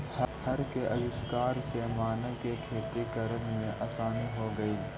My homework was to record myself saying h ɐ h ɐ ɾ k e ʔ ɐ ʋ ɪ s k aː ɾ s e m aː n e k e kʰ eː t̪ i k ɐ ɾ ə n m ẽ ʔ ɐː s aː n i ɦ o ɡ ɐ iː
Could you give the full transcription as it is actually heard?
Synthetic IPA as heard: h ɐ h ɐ ɾ k e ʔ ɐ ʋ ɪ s k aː ɾ s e m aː n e k e kʰ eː t̪ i k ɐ ɾ ə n m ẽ ʔ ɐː s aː n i ɦ o ɡ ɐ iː